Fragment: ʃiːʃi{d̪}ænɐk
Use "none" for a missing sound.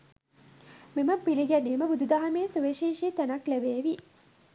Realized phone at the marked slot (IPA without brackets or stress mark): t̪